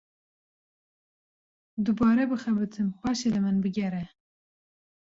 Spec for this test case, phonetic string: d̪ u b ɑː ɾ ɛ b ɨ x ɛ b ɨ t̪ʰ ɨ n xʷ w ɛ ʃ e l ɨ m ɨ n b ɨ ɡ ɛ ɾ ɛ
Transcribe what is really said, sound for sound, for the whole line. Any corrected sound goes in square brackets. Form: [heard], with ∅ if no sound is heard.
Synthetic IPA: d̪ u b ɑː ɾ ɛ b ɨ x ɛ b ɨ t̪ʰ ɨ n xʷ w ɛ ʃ e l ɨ m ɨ n b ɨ ɡ ɛ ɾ ɛ